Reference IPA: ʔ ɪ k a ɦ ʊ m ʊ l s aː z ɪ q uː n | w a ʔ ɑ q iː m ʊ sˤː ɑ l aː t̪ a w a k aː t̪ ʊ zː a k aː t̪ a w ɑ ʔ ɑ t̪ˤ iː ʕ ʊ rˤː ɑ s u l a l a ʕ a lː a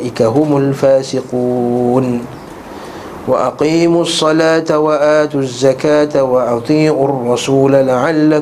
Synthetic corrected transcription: ʔ ɪ k a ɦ ʊ m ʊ l f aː s ɪ q uː n | w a ʔ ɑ q iː m ʊ sˤː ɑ l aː t̪ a w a ʔ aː t̪ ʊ zː a k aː t̪ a w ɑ ʔ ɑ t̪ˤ iː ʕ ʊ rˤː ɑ s uː l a l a ʕ a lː a